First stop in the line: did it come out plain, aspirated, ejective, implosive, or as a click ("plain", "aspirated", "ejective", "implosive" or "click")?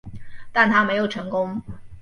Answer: plain